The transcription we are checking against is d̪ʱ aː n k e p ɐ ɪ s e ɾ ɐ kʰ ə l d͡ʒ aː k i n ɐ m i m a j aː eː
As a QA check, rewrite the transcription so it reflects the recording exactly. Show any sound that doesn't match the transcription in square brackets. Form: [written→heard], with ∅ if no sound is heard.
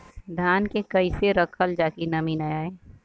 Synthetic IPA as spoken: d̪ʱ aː n k e [p→k] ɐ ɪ s e ɾ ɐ kʰ ə l d͡ʒ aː k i n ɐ m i [m→n] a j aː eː